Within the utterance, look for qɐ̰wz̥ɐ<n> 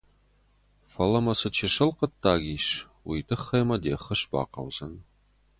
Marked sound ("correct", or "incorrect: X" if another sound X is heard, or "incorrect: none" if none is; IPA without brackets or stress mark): correct